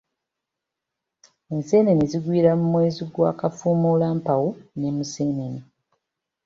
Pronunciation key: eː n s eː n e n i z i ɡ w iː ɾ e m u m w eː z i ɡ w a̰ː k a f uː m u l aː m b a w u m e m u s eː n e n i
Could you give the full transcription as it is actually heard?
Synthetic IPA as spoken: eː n s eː n e n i z i ɡ w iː ɾ a m u m w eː z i ɡ w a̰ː k a f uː m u l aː m p a w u n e m u s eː n e n i